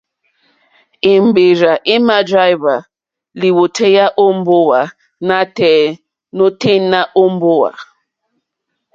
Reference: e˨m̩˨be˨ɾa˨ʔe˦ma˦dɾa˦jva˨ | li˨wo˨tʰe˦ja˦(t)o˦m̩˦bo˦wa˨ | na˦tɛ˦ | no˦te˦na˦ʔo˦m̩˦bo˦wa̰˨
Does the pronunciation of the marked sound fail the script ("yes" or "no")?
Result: yes